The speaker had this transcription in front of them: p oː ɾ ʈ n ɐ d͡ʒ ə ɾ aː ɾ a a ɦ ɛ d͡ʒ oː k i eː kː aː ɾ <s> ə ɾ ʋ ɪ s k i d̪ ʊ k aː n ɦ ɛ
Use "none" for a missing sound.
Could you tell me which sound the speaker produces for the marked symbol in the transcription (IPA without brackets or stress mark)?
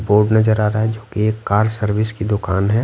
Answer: s